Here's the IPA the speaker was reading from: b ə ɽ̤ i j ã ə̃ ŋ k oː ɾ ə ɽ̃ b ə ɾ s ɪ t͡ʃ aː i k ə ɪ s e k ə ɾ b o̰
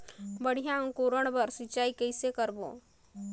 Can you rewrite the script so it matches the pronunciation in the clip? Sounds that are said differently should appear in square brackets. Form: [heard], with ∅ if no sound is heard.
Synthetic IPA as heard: b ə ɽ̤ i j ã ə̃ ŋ k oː ɾ ə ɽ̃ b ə ɾ s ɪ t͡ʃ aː i k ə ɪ s e k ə ɾ b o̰